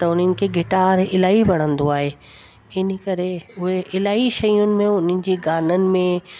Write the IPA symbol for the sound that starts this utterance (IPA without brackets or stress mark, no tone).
t̪